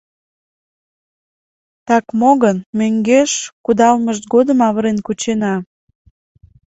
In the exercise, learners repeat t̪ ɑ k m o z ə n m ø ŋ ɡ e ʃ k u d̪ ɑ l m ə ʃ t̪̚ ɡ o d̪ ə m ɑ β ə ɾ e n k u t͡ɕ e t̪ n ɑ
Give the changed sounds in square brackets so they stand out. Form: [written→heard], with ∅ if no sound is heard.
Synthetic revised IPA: t̪ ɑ k m o [z→ɣ] ə n m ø ŋ ɡ e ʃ k u d̪ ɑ l m ə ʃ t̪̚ ɡ o d̪ ə m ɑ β ə ɾ e n k u t͡ɕ e [t̪→∅] n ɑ